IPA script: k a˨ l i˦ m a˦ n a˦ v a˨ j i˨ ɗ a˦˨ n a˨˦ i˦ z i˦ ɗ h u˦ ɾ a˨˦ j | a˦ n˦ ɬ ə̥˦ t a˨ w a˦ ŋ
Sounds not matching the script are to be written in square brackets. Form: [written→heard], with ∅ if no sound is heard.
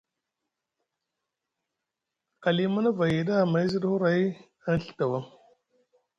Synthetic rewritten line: k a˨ l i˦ m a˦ n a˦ v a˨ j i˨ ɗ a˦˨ [n→m] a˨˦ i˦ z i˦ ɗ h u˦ ɾ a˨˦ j | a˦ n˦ ɬ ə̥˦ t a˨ w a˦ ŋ